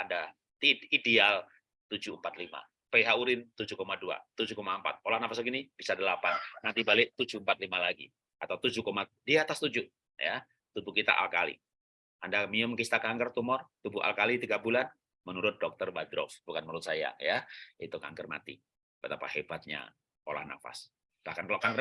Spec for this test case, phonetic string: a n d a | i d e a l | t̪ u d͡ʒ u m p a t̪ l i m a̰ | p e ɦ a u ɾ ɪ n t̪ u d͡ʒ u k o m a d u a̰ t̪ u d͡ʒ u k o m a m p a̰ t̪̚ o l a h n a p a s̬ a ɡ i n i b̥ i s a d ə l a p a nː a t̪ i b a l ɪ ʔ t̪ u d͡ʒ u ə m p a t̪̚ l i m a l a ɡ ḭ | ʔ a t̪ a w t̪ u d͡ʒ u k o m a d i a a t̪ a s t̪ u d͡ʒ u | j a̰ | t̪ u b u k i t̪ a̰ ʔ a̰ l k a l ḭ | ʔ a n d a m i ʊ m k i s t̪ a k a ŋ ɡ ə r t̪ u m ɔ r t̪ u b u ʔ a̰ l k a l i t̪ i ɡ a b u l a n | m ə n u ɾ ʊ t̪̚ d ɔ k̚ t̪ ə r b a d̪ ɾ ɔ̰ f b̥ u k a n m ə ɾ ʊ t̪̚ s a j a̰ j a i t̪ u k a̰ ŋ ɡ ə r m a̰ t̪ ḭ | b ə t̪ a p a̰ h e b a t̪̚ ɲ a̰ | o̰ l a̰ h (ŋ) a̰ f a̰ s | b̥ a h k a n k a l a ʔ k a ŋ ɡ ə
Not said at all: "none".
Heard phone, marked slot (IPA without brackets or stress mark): n